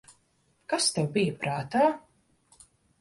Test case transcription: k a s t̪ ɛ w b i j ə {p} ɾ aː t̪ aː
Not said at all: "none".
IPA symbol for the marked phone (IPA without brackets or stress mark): p